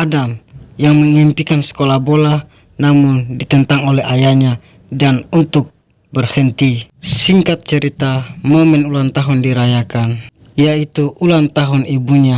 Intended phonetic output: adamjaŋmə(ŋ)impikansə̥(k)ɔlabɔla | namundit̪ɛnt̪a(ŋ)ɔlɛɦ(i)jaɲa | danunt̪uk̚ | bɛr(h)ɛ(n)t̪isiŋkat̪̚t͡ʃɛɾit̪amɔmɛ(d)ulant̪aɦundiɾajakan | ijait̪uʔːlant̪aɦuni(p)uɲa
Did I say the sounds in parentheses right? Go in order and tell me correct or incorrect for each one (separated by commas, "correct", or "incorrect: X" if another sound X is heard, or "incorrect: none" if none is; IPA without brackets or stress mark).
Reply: correct, correct, correct, incorrect: a, correct, correct, incorrect: n, incorrect: b